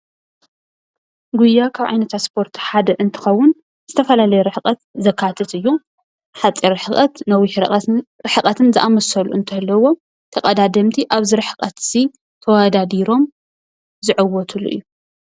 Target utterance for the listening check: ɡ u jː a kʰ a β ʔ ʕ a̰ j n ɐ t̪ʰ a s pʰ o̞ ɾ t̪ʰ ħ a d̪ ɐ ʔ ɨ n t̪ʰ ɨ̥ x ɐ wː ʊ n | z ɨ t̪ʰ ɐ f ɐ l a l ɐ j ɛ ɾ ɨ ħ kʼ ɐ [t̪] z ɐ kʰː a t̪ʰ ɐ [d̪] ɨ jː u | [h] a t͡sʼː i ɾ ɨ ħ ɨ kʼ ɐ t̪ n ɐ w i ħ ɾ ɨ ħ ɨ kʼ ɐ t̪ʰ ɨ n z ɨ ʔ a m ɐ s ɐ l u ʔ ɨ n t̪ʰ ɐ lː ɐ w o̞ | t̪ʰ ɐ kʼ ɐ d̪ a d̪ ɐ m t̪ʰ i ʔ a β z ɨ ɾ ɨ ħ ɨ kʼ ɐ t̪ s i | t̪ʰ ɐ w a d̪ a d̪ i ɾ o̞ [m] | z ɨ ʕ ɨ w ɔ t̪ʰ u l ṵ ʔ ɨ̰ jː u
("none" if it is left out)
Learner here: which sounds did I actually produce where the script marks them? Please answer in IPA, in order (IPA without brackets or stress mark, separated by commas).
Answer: t̪, t̪, ħ, m